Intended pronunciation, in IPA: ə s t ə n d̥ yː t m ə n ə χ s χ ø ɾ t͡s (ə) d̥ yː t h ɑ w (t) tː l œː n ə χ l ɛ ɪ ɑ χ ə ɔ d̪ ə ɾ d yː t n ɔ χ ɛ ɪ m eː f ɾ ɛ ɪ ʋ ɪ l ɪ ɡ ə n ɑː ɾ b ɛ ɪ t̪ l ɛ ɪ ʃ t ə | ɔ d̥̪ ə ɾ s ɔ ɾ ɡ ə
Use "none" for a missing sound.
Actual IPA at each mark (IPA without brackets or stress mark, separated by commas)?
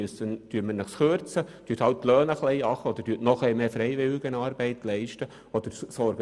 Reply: ə, t